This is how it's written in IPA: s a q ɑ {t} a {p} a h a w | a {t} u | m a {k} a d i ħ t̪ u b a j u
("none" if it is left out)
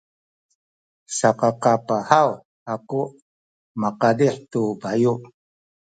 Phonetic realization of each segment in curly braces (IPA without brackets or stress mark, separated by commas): q, p, k, q